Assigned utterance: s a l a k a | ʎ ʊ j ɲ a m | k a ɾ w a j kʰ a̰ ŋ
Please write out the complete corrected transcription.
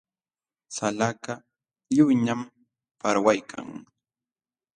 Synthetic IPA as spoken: s a l a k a | ʎ ʊ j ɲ a m | p a ɾ w a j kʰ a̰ ŋ